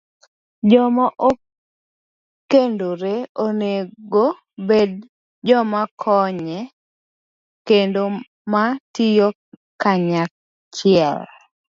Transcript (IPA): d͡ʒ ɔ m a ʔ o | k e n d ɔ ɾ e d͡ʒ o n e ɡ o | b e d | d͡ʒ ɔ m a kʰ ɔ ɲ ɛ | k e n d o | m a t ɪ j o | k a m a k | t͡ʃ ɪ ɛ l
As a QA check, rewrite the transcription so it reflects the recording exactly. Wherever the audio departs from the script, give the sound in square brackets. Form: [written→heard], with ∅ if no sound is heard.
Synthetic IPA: d͡ʒ ɔ m a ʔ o | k e n d [ɔ→o] ɾ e [d͡ʒ→∅] o n e ɡ o | b e d | d͡ʒ ɔ m a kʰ ɔ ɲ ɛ | k e n d o | m a t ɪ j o | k a [m→ɲ] a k | t͡ʃ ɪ ɛ l